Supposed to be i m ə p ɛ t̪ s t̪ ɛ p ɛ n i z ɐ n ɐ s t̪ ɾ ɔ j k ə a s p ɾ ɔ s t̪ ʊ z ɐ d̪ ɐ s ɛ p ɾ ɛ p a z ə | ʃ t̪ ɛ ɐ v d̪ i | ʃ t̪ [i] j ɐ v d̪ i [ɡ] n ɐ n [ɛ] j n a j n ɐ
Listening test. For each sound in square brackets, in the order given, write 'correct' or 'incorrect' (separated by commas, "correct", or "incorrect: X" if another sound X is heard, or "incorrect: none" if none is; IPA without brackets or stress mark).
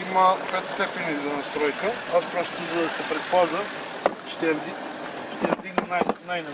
incorrect: ɛ, correct, incorrect: a